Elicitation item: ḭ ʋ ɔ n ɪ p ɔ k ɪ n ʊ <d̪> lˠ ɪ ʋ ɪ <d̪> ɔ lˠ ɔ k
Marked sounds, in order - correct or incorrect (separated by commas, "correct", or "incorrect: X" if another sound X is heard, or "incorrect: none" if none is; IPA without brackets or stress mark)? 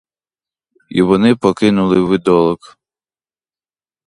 incorrect: none, correct